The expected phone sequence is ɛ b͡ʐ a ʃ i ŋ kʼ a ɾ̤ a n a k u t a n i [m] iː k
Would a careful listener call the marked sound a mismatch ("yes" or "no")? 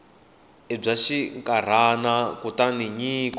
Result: yes